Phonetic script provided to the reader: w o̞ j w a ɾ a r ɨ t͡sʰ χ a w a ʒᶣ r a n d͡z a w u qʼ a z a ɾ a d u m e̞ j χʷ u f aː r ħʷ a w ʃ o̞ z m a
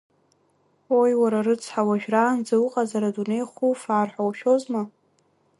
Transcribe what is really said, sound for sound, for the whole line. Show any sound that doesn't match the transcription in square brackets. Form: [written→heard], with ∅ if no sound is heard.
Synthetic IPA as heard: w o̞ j w a ɾ a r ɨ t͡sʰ [χ→ħ] a w a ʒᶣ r a n d͡z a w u qʼ a z a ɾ a d u [m→n] e̞ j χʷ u f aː r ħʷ a w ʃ o̞ z m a